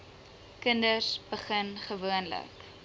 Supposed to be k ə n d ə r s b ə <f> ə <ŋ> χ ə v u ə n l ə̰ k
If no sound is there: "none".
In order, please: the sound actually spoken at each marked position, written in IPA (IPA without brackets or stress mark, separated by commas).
χ, n